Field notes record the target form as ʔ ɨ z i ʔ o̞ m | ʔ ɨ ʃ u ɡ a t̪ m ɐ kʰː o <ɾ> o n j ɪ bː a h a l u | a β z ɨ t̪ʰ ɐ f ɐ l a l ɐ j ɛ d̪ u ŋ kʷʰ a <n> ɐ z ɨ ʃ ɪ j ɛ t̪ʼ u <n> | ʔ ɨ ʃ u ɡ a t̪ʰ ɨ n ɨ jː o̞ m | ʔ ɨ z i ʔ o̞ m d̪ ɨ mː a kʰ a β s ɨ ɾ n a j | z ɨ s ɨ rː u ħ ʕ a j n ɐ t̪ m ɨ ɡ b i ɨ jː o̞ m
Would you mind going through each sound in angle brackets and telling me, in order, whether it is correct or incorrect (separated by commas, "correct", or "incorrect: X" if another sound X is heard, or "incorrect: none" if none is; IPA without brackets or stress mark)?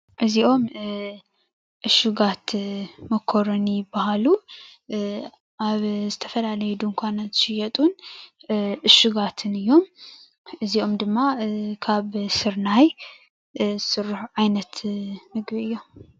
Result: correct, correct, correct